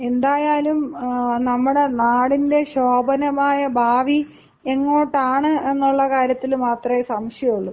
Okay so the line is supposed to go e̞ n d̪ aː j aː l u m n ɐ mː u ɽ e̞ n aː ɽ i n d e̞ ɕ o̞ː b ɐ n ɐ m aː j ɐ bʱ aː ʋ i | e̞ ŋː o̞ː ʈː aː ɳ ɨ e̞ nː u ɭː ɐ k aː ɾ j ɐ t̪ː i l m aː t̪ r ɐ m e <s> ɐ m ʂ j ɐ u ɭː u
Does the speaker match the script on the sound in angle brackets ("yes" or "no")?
yes